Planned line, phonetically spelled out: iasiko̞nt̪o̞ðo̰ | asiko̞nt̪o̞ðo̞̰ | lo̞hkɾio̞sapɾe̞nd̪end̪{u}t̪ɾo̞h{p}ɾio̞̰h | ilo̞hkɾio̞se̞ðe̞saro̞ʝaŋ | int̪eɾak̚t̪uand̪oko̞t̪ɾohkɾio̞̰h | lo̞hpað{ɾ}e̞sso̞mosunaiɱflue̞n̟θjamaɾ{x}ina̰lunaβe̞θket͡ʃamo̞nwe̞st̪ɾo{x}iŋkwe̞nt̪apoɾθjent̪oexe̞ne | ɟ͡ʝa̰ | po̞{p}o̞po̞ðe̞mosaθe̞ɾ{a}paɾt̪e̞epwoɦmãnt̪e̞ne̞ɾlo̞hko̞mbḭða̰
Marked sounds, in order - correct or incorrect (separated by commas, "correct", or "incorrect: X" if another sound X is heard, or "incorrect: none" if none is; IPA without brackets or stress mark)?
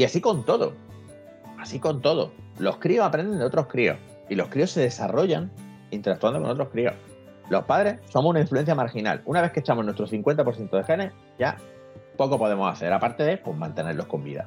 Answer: incorrect: o, incorrect: k, correct, correct, incorrect: θ, incorrect: k, correct